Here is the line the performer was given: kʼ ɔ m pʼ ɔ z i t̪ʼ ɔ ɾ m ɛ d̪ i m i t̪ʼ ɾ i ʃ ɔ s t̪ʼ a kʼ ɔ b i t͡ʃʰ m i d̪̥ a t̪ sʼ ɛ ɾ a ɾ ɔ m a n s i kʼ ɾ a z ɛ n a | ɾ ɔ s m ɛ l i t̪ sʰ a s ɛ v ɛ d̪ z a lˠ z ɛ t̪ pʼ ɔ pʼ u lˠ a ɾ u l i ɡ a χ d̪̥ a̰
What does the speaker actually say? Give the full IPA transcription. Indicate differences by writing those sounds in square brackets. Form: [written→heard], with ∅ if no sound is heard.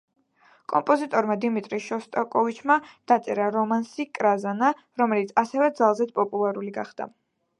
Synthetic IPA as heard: kʼ ɔ m pʼ ɔ z i t̪ʼ ɔ ɾ m [ɛ→a] d̪ i m i t̪ʼ ɾ i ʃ ɔ s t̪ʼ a kʼ ɔ [b→v] i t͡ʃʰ m [i→a] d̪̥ a t̪ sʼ ɛ ɾ a ɾ ɔ m a n s i kʼ ɾ a z [ɛ→a] n a | ɾ ɔ [s→∅] m ɛ l i t̪ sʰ a s ɛ v ɛ d̪ z a lˠ z ɛ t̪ pʼ ɔ pʼ u lˠ a ɾ u l i ɡ a χ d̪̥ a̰